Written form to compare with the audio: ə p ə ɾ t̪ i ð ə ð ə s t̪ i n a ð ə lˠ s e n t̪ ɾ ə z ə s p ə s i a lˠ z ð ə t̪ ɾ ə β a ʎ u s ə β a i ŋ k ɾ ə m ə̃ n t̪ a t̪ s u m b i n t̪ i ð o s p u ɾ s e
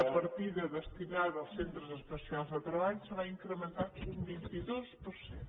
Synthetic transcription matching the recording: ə p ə ɾ t̪ i ð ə ð ə s t̪ i n a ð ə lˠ s e n t̪ ɾ ə z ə s p ə s i a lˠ z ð ə t̪ ɾ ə β a ʎ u s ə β a i ŋ k ɾ ə m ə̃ n t̪ a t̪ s u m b i n t̪ i ð o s p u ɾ s e